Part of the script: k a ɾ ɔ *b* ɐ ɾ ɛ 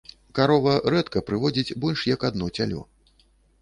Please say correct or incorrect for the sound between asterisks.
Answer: incorrect